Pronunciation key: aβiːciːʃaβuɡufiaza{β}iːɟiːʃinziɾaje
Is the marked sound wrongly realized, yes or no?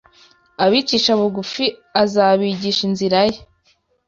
no